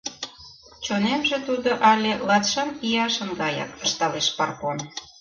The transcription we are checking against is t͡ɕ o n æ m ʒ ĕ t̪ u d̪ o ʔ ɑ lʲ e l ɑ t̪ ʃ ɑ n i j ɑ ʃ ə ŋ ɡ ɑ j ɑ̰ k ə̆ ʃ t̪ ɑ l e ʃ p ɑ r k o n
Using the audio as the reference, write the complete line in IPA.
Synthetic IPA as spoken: t͡ɕ o n e m ʒ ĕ t̪ u d̪ o ʔ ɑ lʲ e l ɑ t̪ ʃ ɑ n i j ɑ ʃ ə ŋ ɡ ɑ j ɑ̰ k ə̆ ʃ t̪ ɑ l e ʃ p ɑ r k o n

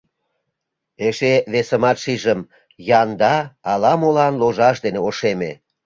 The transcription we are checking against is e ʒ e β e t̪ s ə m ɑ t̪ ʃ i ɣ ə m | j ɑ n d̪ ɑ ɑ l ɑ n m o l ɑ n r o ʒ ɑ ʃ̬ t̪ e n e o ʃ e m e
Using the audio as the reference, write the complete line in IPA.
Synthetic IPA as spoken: e ʃ e β e s ə m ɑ t̪ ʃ i ʒ ə m | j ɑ n d̪ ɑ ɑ l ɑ m o l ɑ n l o ʒ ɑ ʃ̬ d̪ e n e o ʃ e m e

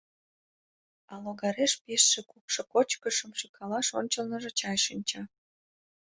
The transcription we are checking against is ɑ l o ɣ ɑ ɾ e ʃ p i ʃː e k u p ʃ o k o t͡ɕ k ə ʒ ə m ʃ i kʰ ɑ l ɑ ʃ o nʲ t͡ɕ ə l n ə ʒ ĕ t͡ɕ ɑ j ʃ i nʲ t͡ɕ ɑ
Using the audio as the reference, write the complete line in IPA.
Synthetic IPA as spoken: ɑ l o ɣ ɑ ɾ e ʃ p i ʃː e k u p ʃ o k o t͡ɕ k ə ʃ ə m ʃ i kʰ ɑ l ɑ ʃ o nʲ t͡ɕ ə l n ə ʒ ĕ t͡ɕ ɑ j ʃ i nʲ t͡ɕ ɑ

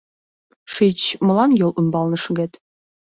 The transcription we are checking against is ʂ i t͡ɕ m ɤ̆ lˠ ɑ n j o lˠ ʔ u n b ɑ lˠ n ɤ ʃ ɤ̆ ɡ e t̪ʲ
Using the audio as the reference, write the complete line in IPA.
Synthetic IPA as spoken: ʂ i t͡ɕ m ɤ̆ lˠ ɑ n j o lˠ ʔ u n b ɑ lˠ n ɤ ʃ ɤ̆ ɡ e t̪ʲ

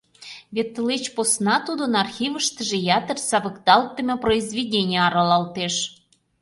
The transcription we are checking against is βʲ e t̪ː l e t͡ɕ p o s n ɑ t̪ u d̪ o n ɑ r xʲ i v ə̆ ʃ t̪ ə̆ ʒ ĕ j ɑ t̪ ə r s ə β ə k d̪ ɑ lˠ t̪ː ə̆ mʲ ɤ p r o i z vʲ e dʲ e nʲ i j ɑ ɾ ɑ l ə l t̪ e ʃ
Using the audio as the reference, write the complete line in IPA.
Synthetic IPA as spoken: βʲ e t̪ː l e t͡ɕ p o s n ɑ t̪ u d̪ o n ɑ r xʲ i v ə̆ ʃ t̪ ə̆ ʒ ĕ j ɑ t̪ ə r s ɑ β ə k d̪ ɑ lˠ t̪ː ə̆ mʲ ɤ p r o i z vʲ e dʲ e nʲ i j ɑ ɾ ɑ l ɑ l t̪ e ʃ

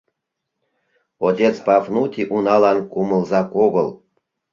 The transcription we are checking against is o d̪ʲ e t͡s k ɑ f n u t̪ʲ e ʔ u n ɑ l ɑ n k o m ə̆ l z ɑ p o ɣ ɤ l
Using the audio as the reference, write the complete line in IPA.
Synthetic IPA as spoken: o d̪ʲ e t͡s p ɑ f n u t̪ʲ i ʔ u n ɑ l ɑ n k u m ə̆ l z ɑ k o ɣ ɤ l

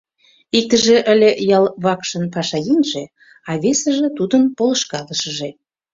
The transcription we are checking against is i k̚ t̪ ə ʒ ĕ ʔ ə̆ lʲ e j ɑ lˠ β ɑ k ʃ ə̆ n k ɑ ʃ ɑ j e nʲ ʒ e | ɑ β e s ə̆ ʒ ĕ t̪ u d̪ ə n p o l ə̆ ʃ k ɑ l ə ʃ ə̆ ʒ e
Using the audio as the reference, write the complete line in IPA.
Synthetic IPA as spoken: i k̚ t̪ ə ʒ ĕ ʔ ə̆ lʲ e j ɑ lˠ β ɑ k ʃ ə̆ n p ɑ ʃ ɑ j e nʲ ʒ e | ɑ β e s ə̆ ʒ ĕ t̪ u d̪ ə n p o l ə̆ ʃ k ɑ l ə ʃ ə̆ ʒ e

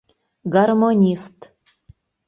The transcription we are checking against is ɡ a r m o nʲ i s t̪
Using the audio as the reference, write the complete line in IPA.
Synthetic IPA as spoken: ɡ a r m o nʲ i s t̪

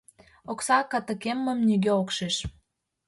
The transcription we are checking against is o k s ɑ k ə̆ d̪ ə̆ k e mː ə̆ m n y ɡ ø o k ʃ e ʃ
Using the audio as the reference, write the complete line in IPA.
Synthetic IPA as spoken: o k s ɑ k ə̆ t̪ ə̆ k e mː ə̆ m n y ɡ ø o k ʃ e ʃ

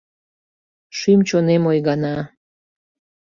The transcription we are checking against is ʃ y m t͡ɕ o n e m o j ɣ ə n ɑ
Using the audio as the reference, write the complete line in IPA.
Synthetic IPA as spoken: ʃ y m t͡ɕ o n e m o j ɣ ɑ n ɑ

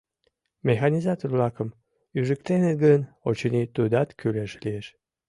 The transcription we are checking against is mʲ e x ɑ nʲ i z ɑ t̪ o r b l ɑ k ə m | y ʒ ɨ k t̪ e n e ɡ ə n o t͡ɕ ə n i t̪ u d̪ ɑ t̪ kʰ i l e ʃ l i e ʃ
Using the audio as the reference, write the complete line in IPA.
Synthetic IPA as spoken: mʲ e x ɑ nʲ i z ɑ t̪ o r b l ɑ k ə m | y ʒ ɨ k t̪ e n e ɡ ə n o t͡ɕ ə n i t̪ u d̪ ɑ t̪ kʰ y l e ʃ l i e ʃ

